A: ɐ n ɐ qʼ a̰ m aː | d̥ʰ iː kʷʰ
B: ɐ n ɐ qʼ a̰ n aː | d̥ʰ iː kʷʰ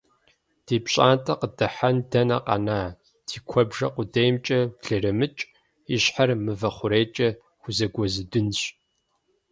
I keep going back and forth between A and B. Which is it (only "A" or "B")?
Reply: B